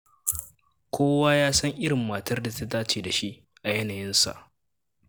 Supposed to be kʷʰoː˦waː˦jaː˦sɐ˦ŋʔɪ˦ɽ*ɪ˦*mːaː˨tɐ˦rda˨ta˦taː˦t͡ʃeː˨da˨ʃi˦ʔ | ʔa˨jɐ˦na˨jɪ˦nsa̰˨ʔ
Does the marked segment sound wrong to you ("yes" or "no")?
yes